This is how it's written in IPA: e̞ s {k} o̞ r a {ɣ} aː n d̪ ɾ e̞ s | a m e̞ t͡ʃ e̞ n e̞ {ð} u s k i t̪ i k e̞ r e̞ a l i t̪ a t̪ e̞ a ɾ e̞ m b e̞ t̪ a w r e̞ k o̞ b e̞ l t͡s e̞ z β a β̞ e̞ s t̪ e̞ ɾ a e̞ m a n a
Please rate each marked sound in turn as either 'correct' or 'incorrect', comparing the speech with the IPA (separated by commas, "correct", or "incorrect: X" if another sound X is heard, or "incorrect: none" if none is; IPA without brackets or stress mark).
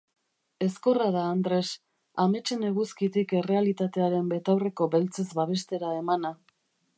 correct, incorrect: ð, incorrect: ɣ